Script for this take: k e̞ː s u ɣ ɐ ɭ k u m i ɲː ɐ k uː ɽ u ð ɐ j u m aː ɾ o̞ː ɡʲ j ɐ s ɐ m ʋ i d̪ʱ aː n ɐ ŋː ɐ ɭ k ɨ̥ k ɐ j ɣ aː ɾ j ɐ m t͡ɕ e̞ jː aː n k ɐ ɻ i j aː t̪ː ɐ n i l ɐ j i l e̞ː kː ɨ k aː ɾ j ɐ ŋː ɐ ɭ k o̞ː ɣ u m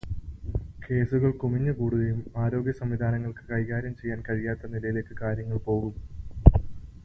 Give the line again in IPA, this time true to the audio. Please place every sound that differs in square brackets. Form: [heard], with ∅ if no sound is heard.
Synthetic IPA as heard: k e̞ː s u ɣ ɐ ɭ k u m i ɲː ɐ k uː ɽ u ð ɐ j u m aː ɾ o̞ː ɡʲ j ɐ s ɐ m ʋ i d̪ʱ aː n ɐ ŋː ɐ ɭ k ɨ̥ k ɐ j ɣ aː ɾ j ɐ m t͡ɕ e̞ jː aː n k ɐ ɻ i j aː t̪ː ɐ n i l ɐ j i l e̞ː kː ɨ k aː ɾ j ɐ ŋː ɐ ɭ [p] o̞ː ɣ u m